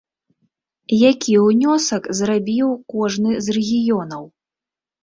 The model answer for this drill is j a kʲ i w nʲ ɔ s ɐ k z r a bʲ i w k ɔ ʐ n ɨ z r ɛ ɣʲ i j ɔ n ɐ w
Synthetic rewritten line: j a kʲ i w nʲ ɔ s ɐ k z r a bʲ i w k ɔ ʐ n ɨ z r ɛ ɣʲ i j ɔ n ɐ w